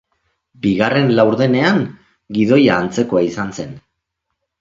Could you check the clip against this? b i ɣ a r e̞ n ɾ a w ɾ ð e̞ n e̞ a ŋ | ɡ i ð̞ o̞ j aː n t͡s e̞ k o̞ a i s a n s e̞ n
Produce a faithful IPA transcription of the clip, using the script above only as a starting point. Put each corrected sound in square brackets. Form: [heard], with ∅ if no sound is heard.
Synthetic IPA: b i ɣ a r e̞ n [l] a w ɾ ð e̞ n e̞ a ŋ | ɡ i ð̞ o̞ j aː n t͡s e̞ k o̞ a i s a n s e̞ n